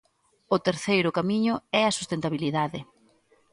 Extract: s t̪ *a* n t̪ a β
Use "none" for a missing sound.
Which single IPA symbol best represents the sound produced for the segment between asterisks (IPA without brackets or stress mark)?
e